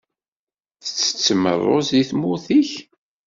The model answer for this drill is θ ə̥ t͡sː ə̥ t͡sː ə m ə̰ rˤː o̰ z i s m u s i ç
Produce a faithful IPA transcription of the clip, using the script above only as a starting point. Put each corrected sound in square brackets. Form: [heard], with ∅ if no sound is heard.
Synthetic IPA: θ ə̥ t͡sː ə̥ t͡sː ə m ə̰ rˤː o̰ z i [θ] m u [θ] i ç